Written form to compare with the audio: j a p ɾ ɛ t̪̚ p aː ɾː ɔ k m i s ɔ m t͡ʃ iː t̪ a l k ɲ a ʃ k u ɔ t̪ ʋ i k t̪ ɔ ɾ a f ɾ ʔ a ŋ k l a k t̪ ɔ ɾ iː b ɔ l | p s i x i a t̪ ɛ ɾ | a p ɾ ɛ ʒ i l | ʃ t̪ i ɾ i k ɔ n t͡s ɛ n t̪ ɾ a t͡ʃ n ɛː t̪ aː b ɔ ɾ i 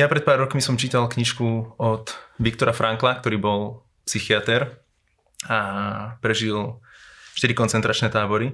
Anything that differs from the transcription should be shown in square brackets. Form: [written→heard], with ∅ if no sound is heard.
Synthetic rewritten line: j a p ɾ ɛ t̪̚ p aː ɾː ɔ k m i s ɔ m t͡ʃ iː t̪ a l k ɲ [a→i] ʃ k u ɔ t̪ ʋ i k t̪ ɔ ɾ a f ɾ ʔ a ŋ k l a k t̪ ɔ ɾ iː b ɔ l | p s i x i a t̪ ɛ ɾ | a p ɾ ɛ ʒ i l | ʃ t̪ i ɾ i k ɔ n t͡s ɛ n t̪ ɾ a t͡ʃ n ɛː t̪ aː b ɔ ɾ i